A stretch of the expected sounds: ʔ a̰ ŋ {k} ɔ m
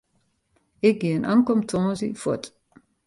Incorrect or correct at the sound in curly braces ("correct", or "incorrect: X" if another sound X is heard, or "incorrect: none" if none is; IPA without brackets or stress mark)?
correct